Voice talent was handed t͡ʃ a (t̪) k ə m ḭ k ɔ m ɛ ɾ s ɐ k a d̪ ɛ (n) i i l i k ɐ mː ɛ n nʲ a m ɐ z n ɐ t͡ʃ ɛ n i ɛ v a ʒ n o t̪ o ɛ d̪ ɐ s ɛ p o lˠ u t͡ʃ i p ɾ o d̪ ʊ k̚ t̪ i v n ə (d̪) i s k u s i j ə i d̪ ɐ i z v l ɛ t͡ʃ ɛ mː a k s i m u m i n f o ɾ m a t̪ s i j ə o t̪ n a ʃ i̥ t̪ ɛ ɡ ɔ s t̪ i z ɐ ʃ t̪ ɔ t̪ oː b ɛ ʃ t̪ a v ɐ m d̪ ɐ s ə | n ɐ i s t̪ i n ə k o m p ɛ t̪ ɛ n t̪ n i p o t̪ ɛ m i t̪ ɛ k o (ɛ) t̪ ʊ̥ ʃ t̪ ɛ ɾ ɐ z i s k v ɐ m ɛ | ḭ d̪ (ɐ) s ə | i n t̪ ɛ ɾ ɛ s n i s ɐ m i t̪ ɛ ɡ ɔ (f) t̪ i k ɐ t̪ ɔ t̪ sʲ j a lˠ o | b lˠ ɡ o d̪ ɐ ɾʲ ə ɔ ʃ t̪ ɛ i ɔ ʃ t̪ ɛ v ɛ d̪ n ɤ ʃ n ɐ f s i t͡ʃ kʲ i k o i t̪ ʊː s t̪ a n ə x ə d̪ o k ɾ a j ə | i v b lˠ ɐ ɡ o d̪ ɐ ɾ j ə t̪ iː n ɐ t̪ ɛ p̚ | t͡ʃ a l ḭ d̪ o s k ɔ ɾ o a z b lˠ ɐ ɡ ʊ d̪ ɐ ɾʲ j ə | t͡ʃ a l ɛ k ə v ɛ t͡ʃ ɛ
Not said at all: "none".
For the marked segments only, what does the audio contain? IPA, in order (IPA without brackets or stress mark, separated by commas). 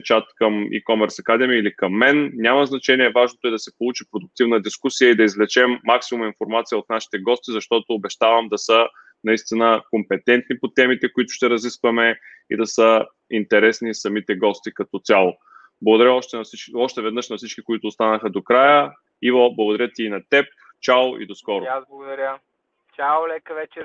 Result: t̪, m, d̪, i, ɐ, s